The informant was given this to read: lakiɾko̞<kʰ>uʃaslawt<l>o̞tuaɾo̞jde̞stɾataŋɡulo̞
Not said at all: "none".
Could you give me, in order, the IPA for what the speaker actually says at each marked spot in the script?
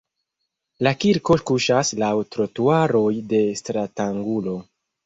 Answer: k, ɾ

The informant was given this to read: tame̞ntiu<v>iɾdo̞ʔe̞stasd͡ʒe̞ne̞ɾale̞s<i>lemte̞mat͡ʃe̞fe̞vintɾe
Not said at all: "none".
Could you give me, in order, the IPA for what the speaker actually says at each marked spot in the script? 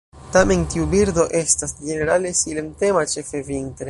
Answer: b, i

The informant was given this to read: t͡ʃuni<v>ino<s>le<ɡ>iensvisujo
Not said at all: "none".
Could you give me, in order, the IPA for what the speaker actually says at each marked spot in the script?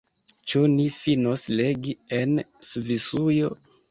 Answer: f, s, ɡ

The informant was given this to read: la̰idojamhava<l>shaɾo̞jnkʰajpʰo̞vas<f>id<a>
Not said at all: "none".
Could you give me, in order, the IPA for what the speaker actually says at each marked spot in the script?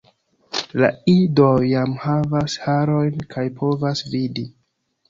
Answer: none, v, i

